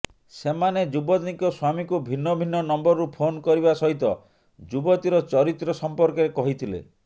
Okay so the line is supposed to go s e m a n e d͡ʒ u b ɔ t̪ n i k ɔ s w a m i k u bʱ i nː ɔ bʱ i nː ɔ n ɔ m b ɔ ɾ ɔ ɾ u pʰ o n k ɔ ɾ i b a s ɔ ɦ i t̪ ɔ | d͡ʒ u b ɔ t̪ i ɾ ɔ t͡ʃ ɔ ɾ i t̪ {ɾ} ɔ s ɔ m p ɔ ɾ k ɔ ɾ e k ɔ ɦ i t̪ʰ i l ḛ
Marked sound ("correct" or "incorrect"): correct